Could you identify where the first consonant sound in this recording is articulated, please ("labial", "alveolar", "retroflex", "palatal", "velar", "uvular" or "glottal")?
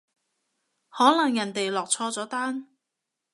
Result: glottal